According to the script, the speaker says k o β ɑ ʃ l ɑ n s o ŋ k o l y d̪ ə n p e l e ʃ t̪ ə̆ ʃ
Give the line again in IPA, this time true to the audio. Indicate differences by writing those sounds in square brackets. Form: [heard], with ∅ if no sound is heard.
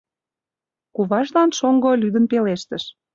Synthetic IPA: k [u] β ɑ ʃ l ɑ n [ʃ] o ŋ [ɡ] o l y d̪ ə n p e l e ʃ t̪ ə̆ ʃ